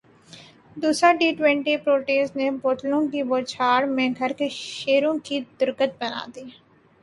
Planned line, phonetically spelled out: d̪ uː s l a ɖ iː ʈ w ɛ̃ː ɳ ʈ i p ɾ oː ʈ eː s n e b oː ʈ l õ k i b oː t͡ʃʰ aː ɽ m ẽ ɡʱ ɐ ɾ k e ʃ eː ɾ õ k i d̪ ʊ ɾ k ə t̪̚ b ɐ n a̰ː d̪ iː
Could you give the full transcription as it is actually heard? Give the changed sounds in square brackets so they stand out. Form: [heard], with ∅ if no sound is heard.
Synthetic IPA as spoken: d̪ uː s [ɾ] a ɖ iː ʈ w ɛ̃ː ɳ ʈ i p ɾ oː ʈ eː s n e b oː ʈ l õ k i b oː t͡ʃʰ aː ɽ m ẽ ɡʱ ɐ ɾ k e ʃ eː ɾ õ k i d̪ ʊ ɾ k ə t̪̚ b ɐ n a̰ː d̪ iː